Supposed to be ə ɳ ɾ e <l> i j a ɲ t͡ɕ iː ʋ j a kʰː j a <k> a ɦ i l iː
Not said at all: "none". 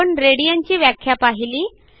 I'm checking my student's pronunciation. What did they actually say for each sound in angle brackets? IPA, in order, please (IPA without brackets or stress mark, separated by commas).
ɽ, p